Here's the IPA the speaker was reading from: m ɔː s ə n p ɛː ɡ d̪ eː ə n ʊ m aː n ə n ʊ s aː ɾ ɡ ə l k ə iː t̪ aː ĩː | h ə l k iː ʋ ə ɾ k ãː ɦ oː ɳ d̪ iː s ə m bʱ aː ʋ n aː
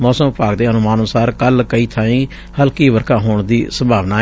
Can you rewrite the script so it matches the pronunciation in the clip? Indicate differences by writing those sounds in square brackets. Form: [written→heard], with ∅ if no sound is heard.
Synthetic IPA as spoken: m ɔː s ə [n→m] p [ɛː→aː] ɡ d̪ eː ə n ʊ m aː n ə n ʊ s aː ɾ [ɡ→k] ə l k ə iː [t̪→t̪ʰ] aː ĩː | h ə l k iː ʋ ə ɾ k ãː ɦ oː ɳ d̪ iː s ə m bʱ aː ʋ n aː